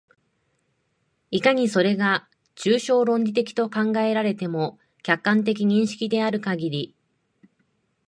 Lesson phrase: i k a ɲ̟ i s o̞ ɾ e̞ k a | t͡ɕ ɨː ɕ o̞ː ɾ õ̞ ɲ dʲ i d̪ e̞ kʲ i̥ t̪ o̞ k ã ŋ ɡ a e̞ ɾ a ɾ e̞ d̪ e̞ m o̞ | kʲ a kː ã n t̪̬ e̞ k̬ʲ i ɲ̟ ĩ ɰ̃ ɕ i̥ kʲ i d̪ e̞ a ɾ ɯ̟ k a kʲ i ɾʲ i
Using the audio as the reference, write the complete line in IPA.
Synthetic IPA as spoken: i k a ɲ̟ i s o̞ ɾ e̞ ɡ a | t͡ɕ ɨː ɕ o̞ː ɾ õ̞ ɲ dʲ i t̪ e̞ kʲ i̥ t̪ o̞ k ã ŋ ɡ a e̞ ɾ a ɾ e̞ t̪ e̞ m o̞ | kʲ a kː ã n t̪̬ e̞ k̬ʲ i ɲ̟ ĩ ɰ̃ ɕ i̥ kʲ i d̪ e̞ a ɾ ɯ̟ k a ɡʲ i ɾʲ i